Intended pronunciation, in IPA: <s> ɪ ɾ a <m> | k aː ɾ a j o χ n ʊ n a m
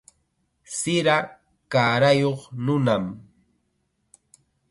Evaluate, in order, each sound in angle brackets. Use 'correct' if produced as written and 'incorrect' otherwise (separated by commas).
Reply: correct, incorrect